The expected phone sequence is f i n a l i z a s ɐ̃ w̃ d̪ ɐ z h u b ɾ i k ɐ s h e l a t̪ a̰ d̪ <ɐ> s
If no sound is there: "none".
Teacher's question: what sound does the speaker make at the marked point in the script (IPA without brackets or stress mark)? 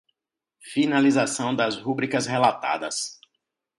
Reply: ɐ